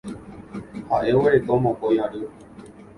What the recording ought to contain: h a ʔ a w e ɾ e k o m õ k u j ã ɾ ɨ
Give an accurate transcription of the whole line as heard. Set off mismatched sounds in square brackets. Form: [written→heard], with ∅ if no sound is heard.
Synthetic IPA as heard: h a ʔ [a→e] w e ɾ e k o m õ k [u→o] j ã ɾ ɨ

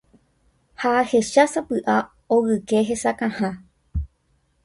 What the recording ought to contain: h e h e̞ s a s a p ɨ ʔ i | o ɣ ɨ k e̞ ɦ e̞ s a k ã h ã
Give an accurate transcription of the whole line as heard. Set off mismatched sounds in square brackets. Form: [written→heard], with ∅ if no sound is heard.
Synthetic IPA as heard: h [e→a] h e̞ [s→ʃ] a s a p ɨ ʔ [i→a] | o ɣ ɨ k e̞ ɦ e̞ s a k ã h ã

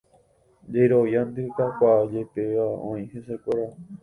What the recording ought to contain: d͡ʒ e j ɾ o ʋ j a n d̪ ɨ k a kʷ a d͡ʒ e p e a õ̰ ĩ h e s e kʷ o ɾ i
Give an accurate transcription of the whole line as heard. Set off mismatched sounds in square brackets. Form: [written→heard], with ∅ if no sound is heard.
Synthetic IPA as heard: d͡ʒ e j ɾ o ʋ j a n d̪ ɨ k a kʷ a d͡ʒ e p e a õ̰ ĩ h e s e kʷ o ɾ [i→a]

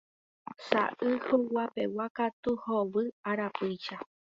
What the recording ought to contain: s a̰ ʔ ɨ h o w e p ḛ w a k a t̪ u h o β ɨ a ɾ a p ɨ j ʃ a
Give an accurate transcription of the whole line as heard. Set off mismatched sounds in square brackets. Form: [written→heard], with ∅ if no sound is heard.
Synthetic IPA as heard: s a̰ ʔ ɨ h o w [e→a] p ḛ w a k a t̪ u h o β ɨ a ɾ a p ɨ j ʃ a

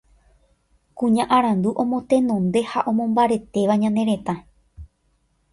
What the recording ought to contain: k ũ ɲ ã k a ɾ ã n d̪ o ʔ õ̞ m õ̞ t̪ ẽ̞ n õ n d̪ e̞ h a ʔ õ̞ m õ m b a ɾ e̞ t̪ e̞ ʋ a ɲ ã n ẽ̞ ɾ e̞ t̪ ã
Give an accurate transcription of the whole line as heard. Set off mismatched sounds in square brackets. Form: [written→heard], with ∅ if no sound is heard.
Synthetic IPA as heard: k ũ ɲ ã [k→ʔ] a ɾ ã n d̪ [o→u] ʔ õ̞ m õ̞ t̪ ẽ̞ n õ n d̪ e̞ h a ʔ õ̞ m õ m b a ɾ e̞ t̪ e̞ ʋ a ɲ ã n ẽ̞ ɾ e̞ t̪ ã

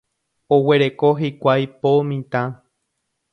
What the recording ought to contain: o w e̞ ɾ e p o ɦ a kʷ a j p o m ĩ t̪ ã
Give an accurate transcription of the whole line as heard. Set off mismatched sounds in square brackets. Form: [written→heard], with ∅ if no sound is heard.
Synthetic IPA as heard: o w e̞ ɾ e [p→k] o ɦ [a→i] kʷ a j p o m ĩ t̪ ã

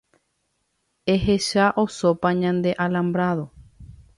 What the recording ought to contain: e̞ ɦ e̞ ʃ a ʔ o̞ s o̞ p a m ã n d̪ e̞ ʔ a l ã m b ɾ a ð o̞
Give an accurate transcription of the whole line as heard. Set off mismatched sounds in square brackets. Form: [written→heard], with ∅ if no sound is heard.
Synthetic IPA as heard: e̞ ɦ e̞ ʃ a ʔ o̞ s o̞ p a [m→ɲ] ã n d̪ e̞ ʔ a l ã m b ɾ a ð o̞

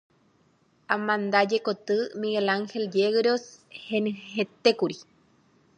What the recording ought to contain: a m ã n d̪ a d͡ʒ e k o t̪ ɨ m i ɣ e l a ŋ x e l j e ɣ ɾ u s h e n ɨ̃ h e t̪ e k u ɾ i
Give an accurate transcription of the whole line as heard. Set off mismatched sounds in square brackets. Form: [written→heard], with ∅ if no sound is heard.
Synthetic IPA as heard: a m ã n d̪ a d͡ʒ e k o t̪ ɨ m i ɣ e l a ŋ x e l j e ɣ ɾ [u→o] s h e n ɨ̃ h e t̪ e k u ɾ i

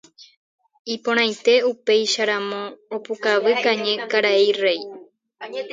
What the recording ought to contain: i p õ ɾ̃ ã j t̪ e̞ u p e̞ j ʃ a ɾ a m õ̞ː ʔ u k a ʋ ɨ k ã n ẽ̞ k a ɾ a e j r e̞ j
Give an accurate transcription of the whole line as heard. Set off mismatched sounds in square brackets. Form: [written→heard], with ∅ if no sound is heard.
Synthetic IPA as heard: i p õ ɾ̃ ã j t̪ e̞ u p e̞ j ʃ a ɾ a m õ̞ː [ʔ→p] u k a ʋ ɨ k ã [n→ɲ] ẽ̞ k a ɾ a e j r e̞ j

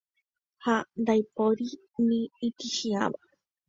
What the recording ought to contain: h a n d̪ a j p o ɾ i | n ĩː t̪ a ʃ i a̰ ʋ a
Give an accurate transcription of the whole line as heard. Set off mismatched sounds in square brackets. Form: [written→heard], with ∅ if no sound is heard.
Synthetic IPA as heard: h a n d̪ a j p o ɾ i | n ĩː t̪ [a→i] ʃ i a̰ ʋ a

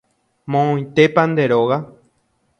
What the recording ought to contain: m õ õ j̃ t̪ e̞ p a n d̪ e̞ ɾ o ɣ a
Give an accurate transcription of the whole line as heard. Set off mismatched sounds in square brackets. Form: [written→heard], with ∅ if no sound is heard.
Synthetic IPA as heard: m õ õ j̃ t̪ e̞ p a n d̪ e̞ ɾ o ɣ a

